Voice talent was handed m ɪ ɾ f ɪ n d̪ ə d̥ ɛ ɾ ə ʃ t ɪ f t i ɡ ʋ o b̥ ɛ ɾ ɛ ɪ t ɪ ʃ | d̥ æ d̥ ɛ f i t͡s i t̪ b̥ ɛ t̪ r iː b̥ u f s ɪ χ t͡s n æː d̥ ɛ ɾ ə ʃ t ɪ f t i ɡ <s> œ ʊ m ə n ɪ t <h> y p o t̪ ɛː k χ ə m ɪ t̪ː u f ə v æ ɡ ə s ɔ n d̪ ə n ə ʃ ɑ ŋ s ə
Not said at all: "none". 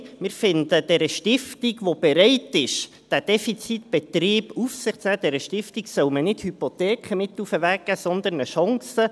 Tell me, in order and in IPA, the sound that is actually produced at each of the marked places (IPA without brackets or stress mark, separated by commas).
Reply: s, h